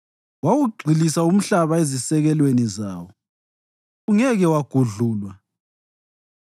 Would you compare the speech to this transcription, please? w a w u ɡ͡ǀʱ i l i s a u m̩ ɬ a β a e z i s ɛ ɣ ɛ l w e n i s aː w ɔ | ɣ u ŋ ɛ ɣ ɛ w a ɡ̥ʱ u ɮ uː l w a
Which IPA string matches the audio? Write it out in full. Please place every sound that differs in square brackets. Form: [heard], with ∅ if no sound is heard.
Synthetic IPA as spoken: w a w u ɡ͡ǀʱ i l i s a u m̩ ɬ a β a e z i s ɛ ɣ ɛ l w e n i [z] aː w ɔ | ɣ u ŋ ɛ ɣ ɛ w a ɡ̥ʱ u ɮ uː l w a